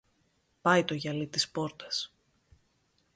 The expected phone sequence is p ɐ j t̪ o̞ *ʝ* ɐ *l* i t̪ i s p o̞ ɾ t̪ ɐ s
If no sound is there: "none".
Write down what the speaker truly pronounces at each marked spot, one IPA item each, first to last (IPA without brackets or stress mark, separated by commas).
ʝ, l